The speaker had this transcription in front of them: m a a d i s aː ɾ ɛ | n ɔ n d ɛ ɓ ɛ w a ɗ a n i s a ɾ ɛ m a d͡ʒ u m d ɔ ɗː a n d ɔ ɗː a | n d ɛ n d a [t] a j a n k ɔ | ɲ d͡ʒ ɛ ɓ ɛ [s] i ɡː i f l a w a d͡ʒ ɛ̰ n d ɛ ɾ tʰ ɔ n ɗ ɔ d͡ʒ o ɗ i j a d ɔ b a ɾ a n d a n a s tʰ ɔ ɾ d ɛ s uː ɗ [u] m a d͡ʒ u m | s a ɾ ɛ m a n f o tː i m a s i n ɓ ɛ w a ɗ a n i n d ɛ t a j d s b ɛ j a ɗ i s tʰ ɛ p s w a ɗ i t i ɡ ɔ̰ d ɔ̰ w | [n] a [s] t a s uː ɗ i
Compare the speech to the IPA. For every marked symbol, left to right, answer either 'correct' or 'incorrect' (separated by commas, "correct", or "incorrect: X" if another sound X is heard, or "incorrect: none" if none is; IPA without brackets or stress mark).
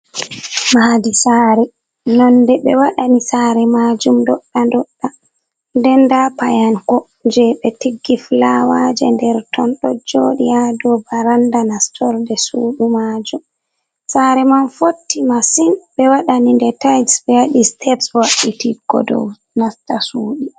incorrect: p, incorrect: t, correct, correct, correct